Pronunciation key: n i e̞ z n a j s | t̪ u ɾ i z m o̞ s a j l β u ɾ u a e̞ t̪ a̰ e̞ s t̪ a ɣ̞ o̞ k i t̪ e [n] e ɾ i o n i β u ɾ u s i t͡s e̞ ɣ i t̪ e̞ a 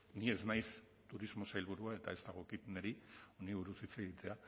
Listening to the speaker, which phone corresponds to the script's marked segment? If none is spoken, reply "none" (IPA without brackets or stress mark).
n